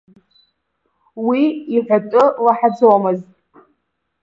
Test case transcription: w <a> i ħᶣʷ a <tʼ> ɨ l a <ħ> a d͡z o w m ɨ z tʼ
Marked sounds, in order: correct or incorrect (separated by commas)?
incorrect, correct, correct